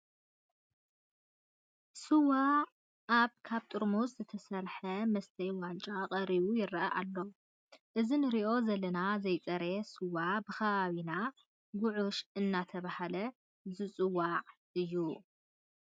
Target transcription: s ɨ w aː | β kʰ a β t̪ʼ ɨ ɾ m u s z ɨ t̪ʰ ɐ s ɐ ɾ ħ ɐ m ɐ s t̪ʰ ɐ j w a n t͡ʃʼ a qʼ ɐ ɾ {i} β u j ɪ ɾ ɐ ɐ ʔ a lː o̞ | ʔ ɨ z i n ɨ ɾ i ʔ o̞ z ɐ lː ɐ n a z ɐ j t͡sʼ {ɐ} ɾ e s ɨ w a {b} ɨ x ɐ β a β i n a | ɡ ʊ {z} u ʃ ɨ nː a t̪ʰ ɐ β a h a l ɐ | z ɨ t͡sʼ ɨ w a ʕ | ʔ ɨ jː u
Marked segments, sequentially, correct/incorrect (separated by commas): correct, correct, correct, incorrect